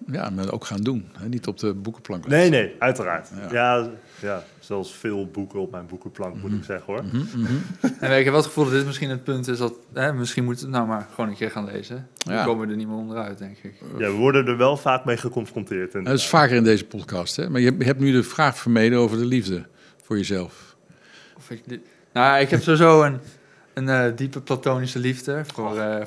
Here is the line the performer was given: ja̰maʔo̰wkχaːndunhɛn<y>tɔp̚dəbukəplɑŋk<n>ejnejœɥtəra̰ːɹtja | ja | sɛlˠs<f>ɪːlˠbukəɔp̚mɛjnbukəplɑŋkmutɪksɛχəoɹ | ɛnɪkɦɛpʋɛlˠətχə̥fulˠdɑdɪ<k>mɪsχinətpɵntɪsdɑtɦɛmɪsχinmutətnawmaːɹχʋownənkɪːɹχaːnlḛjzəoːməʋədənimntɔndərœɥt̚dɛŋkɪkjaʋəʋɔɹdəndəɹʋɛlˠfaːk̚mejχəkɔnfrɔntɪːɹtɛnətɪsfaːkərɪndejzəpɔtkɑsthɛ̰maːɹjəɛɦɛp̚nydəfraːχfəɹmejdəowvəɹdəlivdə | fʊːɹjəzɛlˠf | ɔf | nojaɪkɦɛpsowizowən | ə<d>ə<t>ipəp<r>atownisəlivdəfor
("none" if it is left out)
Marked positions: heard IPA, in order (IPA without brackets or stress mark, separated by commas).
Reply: i, n, f, t, n, d, l